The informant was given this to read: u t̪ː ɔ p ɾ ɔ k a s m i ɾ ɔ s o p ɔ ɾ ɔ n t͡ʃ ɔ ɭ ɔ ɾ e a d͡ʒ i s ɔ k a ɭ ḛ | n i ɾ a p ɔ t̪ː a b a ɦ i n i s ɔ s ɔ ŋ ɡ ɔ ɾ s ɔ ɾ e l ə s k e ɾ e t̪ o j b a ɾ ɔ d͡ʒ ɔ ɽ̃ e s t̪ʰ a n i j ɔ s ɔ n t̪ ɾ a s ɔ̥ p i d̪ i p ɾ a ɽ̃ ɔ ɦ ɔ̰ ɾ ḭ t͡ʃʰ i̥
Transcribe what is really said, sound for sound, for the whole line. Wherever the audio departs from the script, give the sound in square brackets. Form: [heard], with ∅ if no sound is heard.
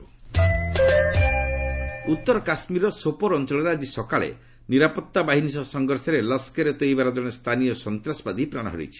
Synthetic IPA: u t̪ː ɔ [∅] ɾ ɔ k a s m i ɾ ɔ s o p ɔ ɾ ɔ n t͡ʃ ɔ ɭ ɔ ɾ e a d͡ʒ i s ɔ k a ɭ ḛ | n i ɾ a p ɔ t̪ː a b a ɦ i n i s ɔ s ɔ ŋ ɡ ɔ ɾ s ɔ ɾ e l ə s k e ɾ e t̪ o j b a ɾ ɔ d͡ʒ ɔ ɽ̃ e s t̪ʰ a n i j ɔ s ɔ n t̪ ɾ a s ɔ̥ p [a] d̪ i p ɾ a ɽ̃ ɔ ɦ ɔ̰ ɾ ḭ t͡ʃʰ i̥